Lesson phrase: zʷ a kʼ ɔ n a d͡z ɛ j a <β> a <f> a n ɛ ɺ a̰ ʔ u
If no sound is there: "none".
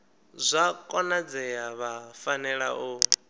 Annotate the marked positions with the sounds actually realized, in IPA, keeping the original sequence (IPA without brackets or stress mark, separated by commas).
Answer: β, f